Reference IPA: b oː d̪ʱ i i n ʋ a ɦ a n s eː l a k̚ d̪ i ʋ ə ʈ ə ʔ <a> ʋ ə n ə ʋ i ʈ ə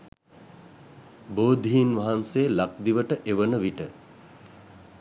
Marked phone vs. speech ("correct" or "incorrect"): incorrect